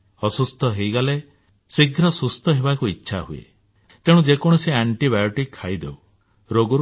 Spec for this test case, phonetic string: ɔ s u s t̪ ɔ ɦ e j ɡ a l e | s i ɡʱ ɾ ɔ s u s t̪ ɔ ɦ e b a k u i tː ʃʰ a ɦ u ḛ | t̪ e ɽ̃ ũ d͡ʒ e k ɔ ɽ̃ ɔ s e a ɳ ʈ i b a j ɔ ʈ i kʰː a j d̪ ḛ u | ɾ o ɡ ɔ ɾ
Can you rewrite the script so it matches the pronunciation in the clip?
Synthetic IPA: ɔ s u s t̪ ɔ ɦ e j ɡ a l e | s i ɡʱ ɾ ɔ s u s t̪ ɔ ɦ e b a k u i tː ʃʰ a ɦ u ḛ | t̪ e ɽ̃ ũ d͡ʒ e k ɔ ɽ̃ ɔ s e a ɳ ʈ i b a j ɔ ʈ i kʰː a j d̪ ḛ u | ɾ o ɡ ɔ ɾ

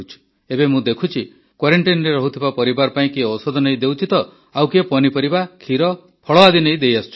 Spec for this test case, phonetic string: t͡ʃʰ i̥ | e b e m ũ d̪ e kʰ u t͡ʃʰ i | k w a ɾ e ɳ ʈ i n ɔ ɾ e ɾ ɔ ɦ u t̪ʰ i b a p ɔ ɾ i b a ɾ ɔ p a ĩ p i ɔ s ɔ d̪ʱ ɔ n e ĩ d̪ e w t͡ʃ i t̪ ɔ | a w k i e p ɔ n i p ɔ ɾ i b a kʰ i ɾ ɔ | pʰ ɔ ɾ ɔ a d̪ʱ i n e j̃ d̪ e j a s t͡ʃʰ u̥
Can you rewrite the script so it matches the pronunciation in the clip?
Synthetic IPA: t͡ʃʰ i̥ | e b e m ũ d̪ e kʰ u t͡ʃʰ i | k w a ɾ e ɳ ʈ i n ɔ ɾ e ɾ ɔ ɦ u t̪ʰ i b a p ɔ ɾ i b a ɾ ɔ p a ĩ k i ɔ s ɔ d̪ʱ ɔ n e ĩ d̪ e w t͡ʃ i t̪ ɔ | a w k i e p ɔ n i p ɔ ɾ i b a kʰ i ɾ ɔ | pʰ ɔ ɭ ɔ a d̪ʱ i n e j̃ d̪ e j a s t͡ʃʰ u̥

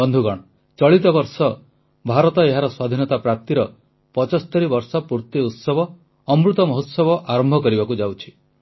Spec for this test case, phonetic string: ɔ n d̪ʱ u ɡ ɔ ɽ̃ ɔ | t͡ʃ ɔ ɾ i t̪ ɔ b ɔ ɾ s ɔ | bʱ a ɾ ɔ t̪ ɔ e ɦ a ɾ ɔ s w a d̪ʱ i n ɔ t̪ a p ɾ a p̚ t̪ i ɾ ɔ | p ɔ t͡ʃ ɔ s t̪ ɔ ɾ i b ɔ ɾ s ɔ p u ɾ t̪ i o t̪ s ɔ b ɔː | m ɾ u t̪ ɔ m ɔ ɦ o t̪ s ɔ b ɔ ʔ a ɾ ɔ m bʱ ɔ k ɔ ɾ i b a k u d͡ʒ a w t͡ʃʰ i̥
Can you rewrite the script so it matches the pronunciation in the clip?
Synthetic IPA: ɔ n d̪ʱ u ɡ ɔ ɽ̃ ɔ | t͡ʃ ɔ ɭ i t̪ ɔ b ɔ ɾ s ɔ | bʱ a ɾ ɔ t̪ ɔ e ɦ a ɾ ɔ s w a d̪ʱ i n ɔ t̪ a p ɾ a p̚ t̪ i ɾ ɔ | p ɔ t͡ʃ ɔ s t̪ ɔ ɾ i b ɔ ɾ s ɔ p u ɾ t̪ i u t̪ s ɔ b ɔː | m ɾ u t̪ ɔ m ɔ ɦ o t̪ s ɔ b ɔ ʔ a ɾ ɔ m bʱ ɔ k ɔ ɾ i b a k u d͡ʒ a w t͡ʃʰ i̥

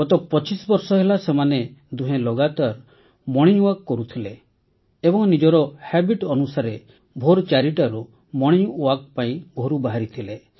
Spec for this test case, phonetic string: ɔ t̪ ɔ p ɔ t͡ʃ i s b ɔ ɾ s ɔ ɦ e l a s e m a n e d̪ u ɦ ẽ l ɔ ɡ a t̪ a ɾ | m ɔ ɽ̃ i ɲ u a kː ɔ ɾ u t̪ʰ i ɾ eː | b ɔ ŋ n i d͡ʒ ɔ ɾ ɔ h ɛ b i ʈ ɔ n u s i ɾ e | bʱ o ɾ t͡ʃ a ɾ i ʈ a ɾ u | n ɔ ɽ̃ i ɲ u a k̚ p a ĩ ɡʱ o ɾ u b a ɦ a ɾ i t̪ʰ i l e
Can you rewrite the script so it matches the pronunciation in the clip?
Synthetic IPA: ɔ t̪ ɔ p ɔ t͡ʃ i s b ɔ ɾ s ɔ ɦ e l a s e m a n e d̪ u ɦ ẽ l ɔ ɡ a t̪ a ɾ | m ɔ ɽ̃ i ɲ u a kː ɔ ɾ u t̪ʰ i l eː | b ɔ ŋ n i d͡ʒ ɔ ɾ ɔ h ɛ b i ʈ ɔ n u s a ɾ e | bʱ o ɾ t͡ʃ a ɾ i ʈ a ɾ u | m ɔ ɽ̃ i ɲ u a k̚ p a ĩ ɡʱ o ɾ u b a ɦ a ɾ i t̪ʰ i l e

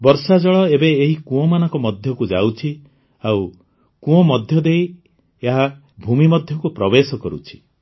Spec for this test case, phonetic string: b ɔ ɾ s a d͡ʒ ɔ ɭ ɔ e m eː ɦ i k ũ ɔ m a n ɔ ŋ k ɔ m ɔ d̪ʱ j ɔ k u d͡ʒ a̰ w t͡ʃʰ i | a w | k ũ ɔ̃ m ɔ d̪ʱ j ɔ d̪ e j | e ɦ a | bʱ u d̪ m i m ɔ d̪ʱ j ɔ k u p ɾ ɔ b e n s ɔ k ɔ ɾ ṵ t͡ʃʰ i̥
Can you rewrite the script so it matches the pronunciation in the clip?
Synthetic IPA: b ɔ ɾ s a d͡ʒ ɔ ɭ ɔ e b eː ɦ i k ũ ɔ m a n ɔ ŋ k ɔ m ɔ d̪ʱ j ɔ k u d͡ʒ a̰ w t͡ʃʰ i | a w | k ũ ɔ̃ m ɔ d̪ʱ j ɔ d̪ e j | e ɦ a | bʱ u m i m ɔ d̪ʱ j ɔ k u p ɾ ɔ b e s ɔ k ɔ ɾ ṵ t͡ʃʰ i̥

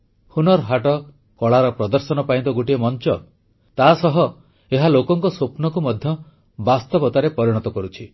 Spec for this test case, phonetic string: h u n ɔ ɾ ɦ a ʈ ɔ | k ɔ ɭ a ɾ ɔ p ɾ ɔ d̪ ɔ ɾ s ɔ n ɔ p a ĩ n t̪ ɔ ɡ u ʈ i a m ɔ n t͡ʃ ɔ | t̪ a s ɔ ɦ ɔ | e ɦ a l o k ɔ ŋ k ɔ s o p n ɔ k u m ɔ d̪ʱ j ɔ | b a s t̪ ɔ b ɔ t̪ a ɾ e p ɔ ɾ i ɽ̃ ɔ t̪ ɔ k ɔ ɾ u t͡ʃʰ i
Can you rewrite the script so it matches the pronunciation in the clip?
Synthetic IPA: h u n ɔ ɾ ɦ a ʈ ɔ | k ɔ ɭ a ɾ ɔ p ɾ ɔ d̪ ɔ ɾ s ɔ n ɔ p a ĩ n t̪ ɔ ɡ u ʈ i e m ɔ n t͡ʃ ɔ | t̪ a s ɔ ɦ ɔ | e ɦ a l o k ɔ ŋ k ɔ s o p n ɔ k u m ɔ d̪ʱ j ɔ | b a s t̪ ɔ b ɔ t̪ a ɾ e p ɔ ɾ i ɽ̃ ɔ t̪ ɔ k ɔ ɾ u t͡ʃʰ i

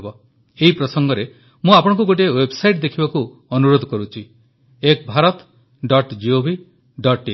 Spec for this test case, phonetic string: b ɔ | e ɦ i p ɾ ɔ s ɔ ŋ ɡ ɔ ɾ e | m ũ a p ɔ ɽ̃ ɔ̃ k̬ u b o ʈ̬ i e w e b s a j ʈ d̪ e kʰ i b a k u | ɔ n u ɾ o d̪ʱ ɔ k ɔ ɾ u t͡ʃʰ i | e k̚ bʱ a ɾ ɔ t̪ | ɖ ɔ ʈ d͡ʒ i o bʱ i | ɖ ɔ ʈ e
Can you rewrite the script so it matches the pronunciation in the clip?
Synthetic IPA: b ɔ | e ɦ i p ɾ ɔ s ɔ ŋ ɡ ɔ ɾ e | m ũ a p ɔ ɽ̃ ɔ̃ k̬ u ɡ o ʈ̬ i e w e b s a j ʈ d̪ e kʰ i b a k u | ɔ n u ɾ o d̪ʱ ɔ k ɔ ɾ u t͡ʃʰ i | e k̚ bʱ a ɾ ɔ t̪ | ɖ ɔ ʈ d͡ʒ i o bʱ i | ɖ ɔ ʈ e

